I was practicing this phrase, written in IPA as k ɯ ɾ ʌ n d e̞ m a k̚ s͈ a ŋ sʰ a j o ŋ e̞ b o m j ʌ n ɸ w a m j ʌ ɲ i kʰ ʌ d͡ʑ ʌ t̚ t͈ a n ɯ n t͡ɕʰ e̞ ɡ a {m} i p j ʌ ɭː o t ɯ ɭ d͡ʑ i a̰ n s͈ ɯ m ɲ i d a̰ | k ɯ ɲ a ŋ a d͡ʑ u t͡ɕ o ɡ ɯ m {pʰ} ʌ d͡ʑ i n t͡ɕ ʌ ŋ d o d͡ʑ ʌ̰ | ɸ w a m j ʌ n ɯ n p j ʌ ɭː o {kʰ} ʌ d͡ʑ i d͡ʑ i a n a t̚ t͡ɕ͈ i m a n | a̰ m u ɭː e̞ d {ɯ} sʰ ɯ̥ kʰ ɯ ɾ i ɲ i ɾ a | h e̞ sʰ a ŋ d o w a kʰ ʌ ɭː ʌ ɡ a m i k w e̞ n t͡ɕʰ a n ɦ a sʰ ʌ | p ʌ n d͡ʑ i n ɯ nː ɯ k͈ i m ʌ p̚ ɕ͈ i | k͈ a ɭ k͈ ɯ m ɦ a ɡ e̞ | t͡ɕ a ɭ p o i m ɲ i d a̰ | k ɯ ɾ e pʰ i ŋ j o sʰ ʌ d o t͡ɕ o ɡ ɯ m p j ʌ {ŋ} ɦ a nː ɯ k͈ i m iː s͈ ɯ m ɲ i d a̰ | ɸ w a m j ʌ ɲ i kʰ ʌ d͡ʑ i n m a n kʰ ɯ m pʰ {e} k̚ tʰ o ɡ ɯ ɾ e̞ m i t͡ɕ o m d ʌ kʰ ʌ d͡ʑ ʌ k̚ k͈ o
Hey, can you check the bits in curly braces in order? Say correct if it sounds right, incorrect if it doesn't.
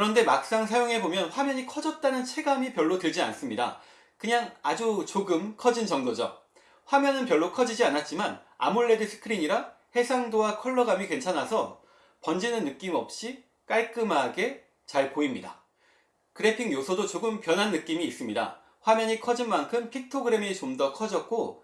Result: correct, incorrect: kʰ, correct, correct, incorrect: n, incorrect: i

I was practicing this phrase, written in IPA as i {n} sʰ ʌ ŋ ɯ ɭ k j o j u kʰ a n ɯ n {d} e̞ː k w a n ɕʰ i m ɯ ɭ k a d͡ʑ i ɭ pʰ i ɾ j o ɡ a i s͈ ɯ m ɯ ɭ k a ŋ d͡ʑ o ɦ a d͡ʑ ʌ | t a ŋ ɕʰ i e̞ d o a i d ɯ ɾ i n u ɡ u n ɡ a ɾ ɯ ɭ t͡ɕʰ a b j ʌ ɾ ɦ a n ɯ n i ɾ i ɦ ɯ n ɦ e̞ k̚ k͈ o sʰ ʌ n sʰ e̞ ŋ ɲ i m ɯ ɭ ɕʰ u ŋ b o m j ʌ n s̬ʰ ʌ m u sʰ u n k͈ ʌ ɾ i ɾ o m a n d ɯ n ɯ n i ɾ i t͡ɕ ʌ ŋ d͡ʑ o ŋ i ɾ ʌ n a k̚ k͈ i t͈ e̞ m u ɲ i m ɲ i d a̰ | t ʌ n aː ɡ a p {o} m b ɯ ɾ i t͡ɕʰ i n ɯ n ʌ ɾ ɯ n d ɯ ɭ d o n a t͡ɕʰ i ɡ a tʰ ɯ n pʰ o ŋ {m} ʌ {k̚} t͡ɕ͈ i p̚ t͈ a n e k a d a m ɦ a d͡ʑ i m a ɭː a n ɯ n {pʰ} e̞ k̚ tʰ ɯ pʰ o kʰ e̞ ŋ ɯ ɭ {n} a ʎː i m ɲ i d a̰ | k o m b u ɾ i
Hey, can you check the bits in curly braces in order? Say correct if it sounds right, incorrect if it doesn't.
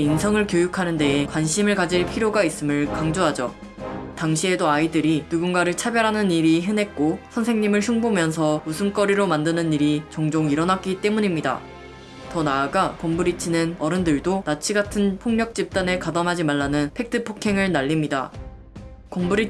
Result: correct, correct, correct, incorrect: ɲ, correct, correct, correct

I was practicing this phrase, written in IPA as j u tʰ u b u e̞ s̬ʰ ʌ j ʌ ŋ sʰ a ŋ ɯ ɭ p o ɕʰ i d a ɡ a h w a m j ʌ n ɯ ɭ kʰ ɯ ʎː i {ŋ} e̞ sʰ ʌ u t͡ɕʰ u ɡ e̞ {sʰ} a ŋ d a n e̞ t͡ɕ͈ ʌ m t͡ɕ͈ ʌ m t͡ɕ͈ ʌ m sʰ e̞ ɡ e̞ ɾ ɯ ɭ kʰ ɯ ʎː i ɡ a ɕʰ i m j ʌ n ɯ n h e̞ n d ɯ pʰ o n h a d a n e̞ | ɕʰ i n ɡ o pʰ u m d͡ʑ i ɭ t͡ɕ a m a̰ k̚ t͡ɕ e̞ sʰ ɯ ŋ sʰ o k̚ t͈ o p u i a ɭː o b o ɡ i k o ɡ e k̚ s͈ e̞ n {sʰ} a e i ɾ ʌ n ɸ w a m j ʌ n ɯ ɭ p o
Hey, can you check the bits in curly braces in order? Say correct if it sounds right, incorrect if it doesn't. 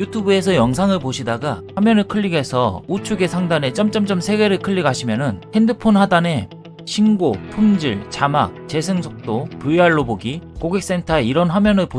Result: incorrect: ɡ, correct, incorrect: tʰ

